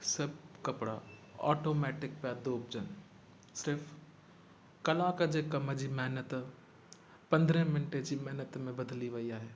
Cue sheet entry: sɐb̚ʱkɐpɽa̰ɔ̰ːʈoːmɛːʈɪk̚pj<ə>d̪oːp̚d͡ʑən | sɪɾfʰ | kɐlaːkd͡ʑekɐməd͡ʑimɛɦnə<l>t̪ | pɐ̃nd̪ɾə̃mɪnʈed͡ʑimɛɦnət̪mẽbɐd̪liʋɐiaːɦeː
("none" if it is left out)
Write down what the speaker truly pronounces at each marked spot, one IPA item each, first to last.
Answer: a, none

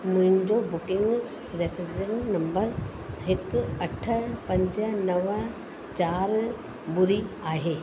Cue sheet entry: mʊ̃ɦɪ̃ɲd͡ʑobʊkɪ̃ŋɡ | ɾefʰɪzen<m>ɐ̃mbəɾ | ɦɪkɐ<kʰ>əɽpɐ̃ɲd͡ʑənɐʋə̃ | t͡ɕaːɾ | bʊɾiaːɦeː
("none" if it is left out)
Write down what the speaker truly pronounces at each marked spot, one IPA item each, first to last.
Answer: n, ʈʰ

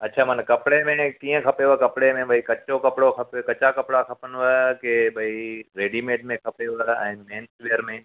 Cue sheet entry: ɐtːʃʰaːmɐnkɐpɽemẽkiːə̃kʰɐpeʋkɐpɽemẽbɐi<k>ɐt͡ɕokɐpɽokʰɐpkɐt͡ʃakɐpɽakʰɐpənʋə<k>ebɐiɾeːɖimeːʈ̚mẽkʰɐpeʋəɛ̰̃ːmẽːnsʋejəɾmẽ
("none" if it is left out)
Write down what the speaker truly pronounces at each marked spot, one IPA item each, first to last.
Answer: k, k

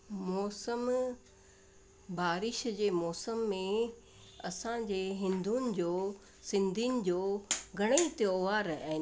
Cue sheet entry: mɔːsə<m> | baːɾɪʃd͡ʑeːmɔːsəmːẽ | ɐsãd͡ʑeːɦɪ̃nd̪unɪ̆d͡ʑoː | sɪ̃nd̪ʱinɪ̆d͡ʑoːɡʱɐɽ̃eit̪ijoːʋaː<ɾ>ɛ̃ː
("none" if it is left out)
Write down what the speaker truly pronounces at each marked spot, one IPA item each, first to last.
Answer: m, ɾ

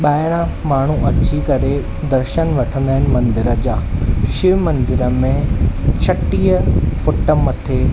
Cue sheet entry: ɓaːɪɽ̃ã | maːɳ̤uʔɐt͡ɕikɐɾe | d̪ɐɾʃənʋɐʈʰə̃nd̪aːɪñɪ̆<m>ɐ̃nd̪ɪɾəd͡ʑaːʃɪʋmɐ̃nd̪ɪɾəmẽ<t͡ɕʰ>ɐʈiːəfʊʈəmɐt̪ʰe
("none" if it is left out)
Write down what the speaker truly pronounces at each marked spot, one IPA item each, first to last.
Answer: m, t͡ɕʰ

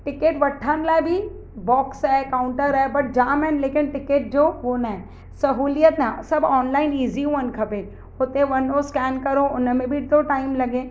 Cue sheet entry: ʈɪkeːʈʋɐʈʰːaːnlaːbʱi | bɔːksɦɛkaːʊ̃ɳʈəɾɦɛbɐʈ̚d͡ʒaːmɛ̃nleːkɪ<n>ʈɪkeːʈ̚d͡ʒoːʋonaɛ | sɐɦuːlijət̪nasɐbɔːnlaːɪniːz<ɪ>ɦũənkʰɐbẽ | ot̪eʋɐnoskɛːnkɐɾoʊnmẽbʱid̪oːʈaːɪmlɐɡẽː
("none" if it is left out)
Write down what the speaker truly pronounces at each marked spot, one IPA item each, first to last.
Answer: n, i

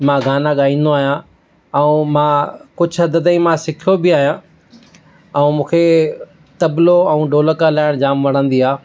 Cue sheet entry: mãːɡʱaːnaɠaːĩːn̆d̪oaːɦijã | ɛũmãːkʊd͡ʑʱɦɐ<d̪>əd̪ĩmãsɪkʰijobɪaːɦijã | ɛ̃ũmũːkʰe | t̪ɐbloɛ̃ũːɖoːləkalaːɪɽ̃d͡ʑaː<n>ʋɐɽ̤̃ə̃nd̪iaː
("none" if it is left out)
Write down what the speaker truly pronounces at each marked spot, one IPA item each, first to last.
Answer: d̪, m

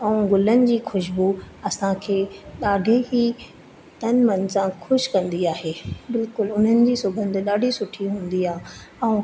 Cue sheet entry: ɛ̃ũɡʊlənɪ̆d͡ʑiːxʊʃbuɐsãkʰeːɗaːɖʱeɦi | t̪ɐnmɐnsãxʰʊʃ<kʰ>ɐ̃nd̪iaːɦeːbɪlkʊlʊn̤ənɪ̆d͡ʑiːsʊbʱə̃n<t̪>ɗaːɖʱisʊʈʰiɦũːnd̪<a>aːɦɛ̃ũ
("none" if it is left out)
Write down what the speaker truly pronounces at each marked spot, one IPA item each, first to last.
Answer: k, d̪, i

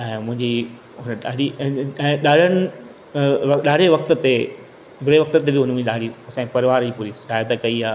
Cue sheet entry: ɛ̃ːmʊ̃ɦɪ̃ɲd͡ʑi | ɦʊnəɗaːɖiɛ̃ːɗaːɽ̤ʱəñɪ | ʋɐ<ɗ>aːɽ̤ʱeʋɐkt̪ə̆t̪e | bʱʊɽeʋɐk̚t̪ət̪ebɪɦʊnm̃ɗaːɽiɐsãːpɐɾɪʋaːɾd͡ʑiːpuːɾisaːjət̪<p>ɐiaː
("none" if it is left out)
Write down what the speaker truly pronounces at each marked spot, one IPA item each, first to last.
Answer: ɗ, k

